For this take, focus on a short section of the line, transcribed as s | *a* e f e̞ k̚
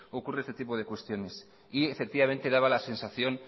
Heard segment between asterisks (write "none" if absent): i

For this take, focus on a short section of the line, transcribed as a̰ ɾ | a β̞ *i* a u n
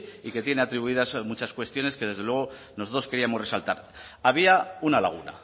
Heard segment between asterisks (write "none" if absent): i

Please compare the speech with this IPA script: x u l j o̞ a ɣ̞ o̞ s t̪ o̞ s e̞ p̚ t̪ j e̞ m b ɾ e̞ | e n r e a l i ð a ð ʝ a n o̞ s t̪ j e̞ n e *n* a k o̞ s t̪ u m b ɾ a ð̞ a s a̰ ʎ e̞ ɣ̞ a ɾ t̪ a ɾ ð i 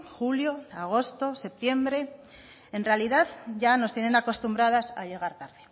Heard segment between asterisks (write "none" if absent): n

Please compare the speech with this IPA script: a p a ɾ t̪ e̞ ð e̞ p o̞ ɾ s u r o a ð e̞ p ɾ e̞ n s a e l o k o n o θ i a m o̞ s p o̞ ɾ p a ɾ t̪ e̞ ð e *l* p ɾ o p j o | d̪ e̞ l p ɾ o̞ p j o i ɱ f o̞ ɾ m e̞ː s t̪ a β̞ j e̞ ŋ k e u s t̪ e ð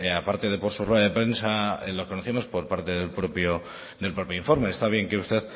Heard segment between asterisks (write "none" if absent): l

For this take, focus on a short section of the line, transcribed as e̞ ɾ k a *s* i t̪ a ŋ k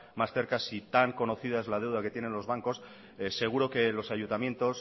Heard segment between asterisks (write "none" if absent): s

